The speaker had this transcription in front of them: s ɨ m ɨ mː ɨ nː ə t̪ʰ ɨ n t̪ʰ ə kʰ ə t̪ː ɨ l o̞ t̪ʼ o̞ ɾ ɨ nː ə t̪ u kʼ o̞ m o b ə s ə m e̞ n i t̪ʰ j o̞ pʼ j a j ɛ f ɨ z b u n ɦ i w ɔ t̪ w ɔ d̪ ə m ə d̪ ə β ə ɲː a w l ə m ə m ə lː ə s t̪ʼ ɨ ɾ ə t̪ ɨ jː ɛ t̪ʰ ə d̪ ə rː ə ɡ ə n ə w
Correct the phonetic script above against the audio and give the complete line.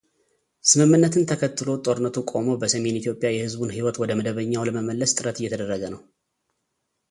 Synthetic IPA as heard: s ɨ m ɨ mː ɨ nː ə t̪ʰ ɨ n t̪ʰ ə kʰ ə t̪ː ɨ l o̞ t̪ʼ o̞ ɾ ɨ nː ə t̪ u kʼ o̞ m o b ə s ə m e̞ n i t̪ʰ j o̞ pʼ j a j ɛ h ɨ z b u n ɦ i w ɔ t̪ w ɔ d̪ ə m ə d̪ ə β ə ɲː a w l ə m ə m ə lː ə s t̪ʼ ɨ ɾ ə t̪ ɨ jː ɛ t̪ʰ ə d̪ ə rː ə ɡ ə n ə w